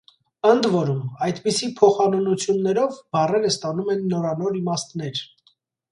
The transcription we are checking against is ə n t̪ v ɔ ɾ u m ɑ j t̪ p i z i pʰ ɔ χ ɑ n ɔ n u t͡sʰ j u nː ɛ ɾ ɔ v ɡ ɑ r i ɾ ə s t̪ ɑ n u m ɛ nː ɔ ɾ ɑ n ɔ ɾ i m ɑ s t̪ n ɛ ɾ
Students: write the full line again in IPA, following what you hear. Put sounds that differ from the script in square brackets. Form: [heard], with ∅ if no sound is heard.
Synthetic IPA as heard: ə n [d̪] v ɔ ɾ u m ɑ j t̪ p i [s] i pʰ ɔ χ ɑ n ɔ n u t͡sʰ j u nː ɛ ɾ ɔ v [b] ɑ r [ɛ] ɾ ə s t̪ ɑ n u m ɛ nː ɔ ɾ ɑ n ɔ ɾ i m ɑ s t̪ n ɛ ɾ